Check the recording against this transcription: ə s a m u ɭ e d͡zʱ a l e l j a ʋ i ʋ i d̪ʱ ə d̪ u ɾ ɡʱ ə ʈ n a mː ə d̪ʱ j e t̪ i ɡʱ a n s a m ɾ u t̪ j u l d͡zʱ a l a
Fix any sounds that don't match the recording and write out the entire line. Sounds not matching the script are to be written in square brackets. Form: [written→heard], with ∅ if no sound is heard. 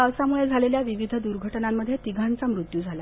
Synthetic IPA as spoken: ə s a m u ɭ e d͡zʱ a l e l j a ʋ i ʋ i d̪ʱ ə d̪ u ɾ ɡʱ ə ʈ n a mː ə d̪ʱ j e t̪ i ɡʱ a n [s→t͡s] a m ɾ u t̪ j u [l→∅] d͡zʱ a l a